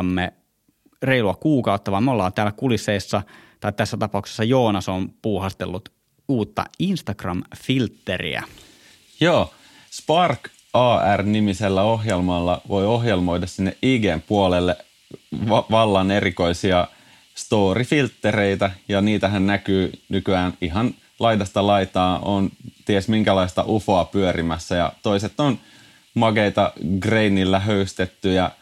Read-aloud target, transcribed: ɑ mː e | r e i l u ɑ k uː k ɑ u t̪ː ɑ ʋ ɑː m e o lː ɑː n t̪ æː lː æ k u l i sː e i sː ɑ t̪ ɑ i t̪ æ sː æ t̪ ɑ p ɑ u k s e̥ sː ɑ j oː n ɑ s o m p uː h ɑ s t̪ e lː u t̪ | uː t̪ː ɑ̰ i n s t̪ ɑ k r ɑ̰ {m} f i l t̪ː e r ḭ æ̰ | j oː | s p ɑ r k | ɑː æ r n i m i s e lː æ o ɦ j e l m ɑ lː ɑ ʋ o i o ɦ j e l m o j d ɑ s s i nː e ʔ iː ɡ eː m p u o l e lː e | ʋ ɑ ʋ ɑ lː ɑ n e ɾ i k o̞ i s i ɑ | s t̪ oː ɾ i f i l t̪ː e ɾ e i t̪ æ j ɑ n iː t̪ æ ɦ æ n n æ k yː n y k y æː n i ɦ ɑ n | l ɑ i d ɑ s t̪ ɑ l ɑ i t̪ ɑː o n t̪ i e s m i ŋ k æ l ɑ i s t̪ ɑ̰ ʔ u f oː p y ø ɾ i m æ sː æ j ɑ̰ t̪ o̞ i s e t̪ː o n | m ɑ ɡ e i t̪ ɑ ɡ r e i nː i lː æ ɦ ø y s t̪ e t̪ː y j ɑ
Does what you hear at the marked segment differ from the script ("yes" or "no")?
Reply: no